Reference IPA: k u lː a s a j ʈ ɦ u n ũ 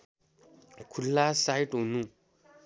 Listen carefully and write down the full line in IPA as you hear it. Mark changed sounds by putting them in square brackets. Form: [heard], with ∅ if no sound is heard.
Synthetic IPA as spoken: [kʰ] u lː a s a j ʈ ɦ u n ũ